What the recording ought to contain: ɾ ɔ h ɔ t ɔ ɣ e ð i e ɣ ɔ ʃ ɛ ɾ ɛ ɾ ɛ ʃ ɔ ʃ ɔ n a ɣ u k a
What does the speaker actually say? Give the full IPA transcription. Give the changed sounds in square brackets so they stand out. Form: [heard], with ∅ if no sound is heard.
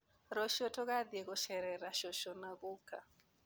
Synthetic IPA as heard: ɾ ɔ [ʃ] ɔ t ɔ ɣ [a] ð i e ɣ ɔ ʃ ɛ ɾ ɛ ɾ [a] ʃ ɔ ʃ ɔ n a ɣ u k a